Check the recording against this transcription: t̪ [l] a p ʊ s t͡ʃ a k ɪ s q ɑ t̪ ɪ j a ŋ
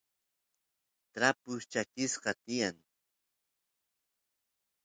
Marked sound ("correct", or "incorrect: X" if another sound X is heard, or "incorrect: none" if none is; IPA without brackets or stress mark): incorrect: ɾ